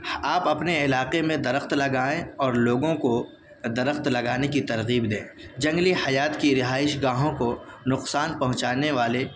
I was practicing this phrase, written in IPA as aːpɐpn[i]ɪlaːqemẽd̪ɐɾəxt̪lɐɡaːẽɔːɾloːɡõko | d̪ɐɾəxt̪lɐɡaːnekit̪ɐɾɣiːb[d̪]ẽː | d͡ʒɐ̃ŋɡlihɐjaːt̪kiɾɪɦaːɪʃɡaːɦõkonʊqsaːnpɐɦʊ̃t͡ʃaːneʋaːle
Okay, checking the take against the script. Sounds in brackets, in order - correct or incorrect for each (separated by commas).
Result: incorrect, correct